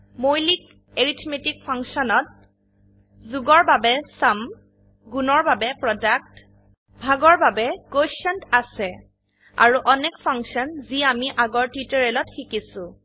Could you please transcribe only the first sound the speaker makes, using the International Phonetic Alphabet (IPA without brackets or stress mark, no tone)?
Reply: m